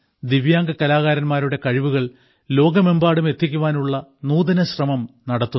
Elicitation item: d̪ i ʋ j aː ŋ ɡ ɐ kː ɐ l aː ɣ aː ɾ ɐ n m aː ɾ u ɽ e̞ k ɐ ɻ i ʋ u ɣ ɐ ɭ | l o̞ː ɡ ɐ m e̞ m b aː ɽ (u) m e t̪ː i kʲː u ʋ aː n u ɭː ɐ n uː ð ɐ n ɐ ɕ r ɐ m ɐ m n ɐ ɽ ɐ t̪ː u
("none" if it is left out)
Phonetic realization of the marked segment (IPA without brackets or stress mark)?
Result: u